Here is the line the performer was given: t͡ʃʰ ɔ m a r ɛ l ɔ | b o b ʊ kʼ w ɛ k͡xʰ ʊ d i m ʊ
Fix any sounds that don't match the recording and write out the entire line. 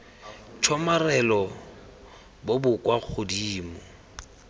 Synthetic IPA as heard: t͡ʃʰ ɔ m a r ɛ l ɔ | b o b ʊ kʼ w a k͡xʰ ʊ d iː m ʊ